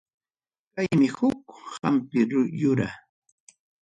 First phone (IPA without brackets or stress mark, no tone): k